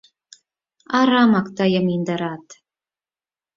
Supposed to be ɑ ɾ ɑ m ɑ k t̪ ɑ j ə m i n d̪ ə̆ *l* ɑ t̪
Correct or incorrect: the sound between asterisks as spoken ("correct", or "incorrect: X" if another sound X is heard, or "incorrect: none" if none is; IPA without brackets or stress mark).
incorrect: ɾ